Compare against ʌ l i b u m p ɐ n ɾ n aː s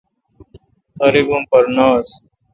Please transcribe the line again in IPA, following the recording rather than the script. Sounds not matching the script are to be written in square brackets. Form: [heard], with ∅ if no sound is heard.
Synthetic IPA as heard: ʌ [ɾ] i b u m p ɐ [∅] ɾ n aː s